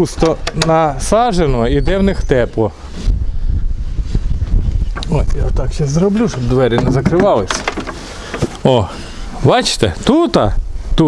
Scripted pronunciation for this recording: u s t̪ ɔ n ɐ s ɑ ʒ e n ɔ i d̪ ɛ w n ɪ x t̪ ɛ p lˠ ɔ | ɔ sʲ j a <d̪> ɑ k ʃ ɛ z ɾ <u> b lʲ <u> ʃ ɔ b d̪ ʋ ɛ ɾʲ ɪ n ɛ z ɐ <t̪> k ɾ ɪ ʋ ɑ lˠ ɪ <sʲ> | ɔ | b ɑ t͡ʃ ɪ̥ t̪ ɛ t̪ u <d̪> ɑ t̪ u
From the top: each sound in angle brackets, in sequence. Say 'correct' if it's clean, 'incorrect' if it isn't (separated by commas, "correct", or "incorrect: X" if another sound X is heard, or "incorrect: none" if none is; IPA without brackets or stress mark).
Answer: incorrect: t̪, incorrect: ɔ, correct, incorrect: none, correct, incorrect: t̪